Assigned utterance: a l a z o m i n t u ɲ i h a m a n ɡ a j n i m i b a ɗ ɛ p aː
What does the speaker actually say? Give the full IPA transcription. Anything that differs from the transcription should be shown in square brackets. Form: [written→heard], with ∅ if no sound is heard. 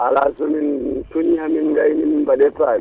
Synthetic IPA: a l a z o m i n t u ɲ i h a m [a→i] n ɡ a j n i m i b a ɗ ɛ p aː